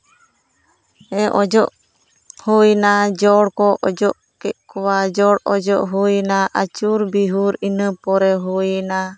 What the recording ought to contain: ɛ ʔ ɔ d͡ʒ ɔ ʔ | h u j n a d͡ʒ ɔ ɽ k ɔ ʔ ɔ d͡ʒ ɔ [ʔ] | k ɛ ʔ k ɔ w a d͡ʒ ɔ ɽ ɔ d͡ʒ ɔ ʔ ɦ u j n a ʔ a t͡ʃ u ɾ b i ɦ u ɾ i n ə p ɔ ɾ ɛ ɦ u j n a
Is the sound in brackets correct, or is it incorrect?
correct